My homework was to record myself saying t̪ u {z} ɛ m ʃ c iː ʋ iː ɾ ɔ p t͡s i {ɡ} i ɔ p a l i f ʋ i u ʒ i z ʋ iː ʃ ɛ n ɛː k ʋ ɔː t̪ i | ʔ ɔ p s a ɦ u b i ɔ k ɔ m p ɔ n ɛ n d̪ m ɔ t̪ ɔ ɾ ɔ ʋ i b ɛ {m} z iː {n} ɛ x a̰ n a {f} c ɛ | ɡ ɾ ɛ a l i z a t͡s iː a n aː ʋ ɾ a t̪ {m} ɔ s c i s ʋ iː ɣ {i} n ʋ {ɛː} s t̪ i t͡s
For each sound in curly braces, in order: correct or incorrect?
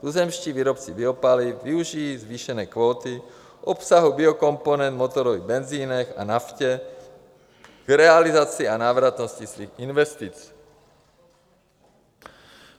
correct, incorrect: b, incorrect: n, correct, correct, incorrect: n, correct, incorrect: ɛ

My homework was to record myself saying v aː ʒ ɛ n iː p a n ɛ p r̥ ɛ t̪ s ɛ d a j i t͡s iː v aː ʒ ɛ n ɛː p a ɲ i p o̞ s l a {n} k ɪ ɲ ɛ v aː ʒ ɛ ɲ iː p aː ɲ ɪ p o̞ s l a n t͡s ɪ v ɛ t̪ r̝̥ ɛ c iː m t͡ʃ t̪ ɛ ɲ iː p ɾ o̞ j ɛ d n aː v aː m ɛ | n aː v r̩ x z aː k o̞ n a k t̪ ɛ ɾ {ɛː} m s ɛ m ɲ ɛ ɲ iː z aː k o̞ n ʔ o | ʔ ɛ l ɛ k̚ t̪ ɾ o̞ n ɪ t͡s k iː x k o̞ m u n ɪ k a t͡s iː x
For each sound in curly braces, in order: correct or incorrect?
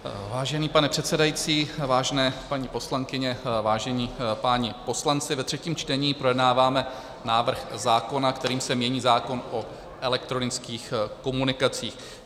incorrect: ŋ, incorrect: iː

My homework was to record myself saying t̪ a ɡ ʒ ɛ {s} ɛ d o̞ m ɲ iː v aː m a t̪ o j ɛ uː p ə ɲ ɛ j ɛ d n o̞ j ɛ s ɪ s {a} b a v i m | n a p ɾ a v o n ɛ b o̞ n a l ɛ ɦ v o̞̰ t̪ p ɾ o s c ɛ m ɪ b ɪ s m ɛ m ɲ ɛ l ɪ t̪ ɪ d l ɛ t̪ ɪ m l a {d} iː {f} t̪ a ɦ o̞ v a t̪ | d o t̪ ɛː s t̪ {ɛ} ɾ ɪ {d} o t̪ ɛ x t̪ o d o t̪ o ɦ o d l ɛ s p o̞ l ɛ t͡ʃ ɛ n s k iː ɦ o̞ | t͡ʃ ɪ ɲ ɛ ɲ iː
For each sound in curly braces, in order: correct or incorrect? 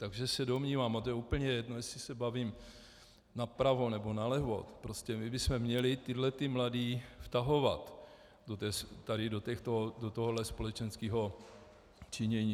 correct, incorrect: ɛ, correct, correct, incorrect: a, correct

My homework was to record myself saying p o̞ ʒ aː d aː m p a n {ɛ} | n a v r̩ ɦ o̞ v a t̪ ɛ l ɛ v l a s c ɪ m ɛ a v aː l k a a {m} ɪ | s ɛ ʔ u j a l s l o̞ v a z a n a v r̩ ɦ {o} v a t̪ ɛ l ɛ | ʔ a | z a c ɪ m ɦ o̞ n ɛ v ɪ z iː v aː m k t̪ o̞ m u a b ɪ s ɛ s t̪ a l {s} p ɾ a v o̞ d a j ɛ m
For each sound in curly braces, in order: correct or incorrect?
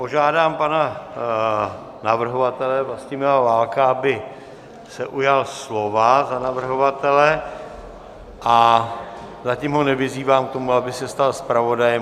incorrect: a, incorrect: b, correct, correct

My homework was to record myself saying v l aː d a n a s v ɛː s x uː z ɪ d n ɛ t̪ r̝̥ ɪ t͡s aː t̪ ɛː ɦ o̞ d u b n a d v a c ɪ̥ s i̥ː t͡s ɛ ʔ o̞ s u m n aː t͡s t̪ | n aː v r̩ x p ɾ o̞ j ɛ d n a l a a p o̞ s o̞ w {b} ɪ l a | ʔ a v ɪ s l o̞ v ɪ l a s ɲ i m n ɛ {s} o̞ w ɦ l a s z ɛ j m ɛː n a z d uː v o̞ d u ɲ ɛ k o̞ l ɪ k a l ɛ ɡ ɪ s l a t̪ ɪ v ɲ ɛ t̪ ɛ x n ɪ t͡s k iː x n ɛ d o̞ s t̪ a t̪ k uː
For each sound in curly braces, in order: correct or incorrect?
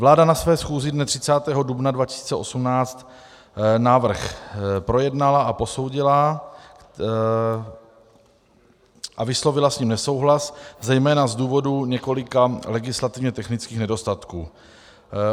incorrect: ɟ, correct

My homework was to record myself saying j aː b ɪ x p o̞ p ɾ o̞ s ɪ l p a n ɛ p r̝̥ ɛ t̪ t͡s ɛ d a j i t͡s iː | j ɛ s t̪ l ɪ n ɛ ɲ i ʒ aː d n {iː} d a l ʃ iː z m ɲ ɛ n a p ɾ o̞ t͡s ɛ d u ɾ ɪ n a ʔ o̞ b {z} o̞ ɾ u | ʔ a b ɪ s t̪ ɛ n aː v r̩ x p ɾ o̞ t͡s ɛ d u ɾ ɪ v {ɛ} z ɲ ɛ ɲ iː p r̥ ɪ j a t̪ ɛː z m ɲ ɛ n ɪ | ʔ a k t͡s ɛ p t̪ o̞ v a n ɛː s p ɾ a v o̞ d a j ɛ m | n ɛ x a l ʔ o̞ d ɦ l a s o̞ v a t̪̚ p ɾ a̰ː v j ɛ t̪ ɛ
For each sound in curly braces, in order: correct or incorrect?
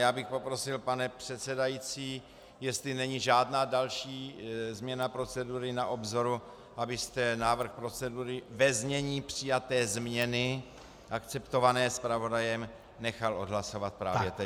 incorrect: aː, correct, correct

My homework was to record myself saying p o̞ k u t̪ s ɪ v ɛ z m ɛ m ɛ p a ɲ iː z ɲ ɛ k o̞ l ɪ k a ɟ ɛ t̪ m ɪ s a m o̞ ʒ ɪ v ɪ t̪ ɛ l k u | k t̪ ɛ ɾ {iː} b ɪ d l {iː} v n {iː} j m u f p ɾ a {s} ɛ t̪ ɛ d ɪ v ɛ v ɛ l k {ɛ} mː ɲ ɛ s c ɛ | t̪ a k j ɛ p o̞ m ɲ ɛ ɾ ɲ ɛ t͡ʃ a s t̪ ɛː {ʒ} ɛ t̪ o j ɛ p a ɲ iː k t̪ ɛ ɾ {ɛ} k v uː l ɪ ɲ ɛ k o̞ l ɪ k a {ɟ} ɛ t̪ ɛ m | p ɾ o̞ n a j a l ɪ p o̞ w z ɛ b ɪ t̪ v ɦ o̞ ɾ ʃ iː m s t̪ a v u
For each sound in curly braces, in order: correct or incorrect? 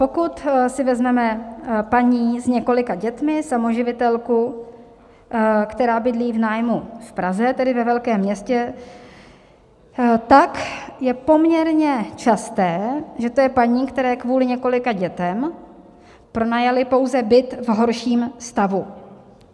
incorrect: aː, correct, incorrect: aː, incorrect: z, incorrect: ɛː, correct, incorrect: ɛː, correct

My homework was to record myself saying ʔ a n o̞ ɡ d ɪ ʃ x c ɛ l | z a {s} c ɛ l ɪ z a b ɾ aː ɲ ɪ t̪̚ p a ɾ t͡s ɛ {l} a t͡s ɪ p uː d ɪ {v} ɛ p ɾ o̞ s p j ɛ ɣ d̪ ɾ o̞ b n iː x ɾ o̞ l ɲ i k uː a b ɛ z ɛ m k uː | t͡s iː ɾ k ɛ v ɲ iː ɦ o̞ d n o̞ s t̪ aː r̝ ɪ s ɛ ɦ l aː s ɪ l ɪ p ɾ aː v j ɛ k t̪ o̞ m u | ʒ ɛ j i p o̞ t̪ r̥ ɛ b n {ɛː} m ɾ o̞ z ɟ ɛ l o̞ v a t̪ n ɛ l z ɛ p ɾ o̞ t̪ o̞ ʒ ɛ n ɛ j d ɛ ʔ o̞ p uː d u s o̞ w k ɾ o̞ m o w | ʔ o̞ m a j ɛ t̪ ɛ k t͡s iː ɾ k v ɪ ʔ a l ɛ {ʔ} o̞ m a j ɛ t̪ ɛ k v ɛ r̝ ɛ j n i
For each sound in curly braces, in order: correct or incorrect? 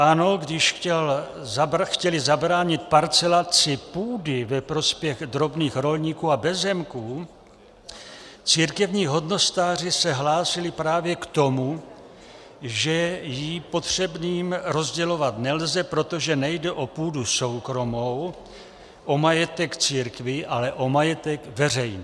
incorrect: x, correct, correct, incorrect: iː, correct

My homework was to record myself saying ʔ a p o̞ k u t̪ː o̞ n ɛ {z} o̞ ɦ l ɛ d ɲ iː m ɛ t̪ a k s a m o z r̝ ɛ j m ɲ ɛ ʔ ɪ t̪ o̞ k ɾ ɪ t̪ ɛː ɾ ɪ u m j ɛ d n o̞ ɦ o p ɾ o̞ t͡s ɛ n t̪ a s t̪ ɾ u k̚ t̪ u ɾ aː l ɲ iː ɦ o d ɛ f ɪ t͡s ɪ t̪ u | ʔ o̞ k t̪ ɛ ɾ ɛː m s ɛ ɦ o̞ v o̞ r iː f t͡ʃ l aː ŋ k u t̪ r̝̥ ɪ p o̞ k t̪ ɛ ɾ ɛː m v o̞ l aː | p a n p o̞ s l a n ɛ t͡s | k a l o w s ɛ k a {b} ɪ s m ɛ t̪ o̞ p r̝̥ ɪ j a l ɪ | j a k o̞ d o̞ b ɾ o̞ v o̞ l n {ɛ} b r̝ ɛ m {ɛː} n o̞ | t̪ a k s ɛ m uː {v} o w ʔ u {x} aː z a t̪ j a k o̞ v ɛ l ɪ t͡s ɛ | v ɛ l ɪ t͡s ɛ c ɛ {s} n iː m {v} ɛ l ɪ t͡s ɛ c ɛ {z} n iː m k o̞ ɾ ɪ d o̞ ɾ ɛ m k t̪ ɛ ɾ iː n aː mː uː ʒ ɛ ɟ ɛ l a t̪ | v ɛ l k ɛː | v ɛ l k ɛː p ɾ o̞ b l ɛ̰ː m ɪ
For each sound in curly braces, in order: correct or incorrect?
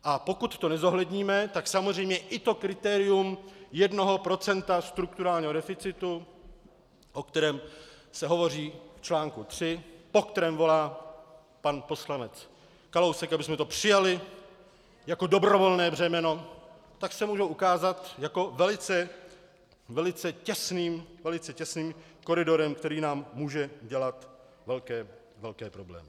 correct, correct, incorrect: ɛː, incorrect: ɛ, incorrect: ʒ, incorrect: k, correct, correct, incorrect: s

